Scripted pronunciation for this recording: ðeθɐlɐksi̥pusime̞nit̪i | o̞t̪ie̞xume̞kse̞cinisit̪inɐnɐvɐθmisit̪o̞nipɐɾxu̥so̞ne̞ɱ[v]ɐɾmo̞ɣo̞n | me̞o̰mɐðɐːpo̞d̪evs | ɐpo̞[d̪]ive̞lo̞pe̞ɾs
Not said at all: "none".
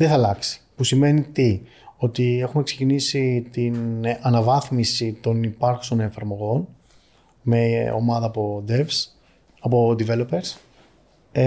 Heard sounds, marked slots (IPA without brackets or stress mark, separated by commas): f, d̪